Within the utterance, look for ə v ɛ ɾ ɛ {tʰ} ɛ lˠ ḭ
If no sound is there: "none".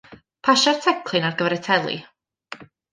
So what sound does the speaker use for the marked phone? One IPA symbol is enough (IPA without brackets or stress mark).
tʰ